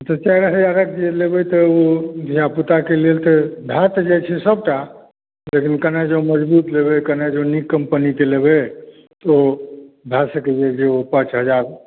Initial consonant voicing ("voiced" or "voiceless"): voiceless